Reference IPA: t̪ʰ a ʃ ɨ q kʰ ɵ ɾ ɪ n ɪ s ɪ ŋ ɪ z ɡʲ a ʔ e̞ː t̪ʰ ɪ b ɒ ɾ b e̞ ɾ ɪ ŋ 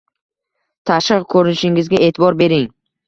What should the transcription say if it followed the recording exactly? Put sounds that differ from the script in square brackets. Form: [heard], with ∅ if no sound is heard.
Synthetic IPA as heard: t̪ʰ a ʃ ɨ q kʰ ɵ ɾ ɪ n ɪ [ʃ] ɪ ŋ ɪ z ɡʲ a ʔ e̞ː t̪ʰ ɪ b ɒ ɾ b e̞ ɾ ɪ ŋ